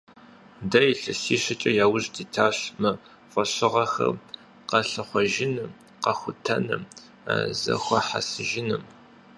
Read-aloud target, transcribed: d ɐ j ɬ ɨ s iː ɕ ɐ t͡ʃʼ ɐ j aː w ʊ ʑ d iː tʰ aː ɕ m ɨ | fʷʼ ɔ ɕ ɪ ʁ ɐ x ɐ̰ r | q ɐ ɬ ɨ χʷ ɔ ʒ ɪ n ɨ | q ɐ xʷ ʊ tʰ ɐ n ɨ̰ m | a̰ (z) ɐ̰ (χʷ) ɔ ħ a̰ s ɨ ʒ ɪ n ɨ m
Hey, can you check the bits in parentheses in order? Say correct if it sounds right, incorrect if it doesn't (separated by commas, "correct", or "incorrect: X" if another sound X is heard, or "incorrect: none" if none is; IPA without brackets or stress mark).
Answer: correct, incorrect: xʷ